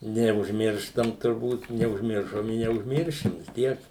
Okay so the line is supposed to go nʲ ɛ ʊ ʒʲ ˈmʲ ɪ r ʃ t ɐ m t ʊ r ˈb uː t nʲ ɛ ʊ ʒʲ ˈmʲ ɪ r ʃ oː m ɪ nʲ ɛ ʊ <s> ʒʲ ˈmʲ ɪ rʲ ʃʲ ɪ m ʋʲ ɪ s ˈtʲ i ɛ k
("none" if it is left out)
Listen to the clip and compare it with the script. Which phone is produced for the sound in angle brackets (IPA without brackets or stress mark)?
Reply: none